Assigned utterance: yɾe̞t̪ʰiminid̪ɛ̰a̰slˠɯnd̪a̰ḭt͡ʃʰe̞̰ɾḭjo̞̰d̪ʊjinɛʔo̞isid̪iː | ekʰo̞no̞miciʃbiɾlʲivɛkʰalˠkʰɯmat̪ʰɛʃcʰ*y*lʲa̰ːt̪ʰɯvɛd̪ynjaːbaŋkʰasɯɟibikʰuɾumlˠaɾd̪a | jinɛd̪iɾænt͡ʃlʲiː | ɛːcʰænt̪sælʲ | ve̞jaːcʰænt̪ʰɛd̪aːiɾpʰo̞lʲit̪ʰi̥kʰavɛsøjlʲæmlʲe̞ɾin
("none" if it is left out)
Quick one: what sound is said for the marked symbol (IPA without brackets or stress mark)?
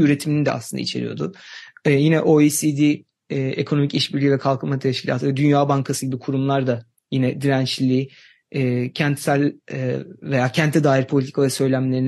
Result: i